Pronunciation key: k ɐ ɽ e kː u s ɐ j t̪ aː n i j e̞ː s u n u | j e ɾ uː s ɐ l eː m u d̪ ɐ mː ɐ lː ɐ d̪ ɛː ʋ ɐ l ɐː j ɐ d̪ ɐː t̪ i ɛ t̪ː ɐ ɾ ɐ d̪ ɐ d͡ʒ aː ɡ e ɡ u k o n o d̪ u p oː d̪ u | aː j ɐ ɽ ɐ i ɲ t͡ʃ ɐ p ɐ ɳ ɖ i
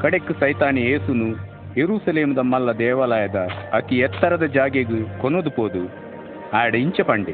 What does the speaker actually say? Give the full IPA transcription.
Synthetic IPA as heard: k ɐ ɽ e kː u s ɐ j t̪ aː n i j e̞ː s u n u | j e ɾ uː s ɐ l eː m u d̪ ɐ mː ɐ lː ɐ d̪ ɛː ʋ ɐ l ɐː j ɐ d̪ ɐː t̪ i ɛ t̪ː ɐ ɾ ɐ d̪ ɐ d͡ʒ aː ɡ e ɡ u k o n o d̪ u p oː d̪ u | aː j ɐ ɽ ɐ i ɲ t͡ʃ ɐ p ɐ ɳ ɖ i